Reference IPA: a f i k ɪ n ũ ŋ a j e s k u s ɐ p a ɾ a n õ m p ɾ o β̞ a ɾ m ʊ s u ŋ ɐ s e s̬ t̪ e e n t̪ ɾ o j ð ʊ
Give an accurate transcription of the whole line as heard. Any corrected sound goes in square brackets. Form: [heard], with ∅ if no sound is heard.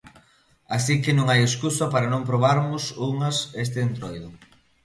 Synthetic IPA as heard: a [s] i k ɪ n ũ ŋ a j e s k u s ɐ p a ɾ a n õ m p ɾ o β̞ a ɾ m ʊ s u ŋ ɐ s e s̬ t̪ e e n t̪ ɾ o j ð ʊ